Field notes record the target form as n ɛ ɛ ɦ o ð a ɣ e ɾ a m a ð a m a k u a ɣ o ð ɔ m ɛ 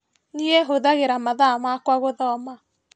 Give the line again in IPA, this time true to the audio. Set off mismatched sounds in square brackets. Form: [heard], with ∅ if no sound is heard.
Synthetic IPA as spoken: n [i] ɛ ɦ o ð a ɣ e ɾ a m a ð a m a k [w] a ɣ o ð ɔ m [a]